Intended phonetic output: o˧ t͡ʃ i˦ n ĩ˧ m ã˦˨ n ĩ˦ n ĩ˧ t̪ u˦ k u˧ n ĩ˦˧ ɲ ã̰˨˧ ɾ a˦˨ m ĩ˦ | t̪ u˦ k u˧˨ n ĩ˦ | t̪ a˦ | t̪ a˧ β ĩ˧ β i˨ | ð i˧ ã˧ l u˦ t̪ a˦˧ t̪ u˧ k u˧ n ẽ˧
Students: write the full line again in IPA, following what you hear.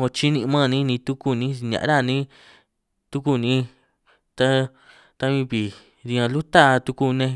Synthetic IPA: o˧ t͡ʃ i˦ n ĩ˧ m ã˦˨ n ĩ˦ n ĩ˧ t̪ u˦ k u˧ n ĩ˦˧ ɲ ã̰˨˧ ɾ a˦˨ n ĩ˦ | t̪ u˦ k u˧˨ n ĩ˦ | t̪ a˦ | t̪ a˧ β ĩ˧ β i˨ | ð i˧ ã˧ l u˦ t̪ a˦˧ t̪ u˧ k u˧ n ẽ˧